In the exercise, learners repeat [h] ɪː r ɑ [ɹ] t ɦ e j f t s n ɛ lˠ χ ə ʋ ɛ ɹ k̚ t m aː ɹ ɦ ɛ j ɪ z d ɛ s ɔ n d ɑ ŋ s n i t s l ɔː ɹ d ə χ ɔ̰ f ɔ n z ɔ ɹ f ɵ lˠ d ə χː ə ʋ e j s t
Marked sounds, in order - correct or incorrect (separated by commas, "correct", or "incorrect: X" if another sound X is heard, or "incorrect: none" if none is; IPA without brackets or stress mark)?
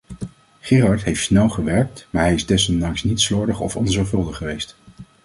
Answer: incorrect: χ, correct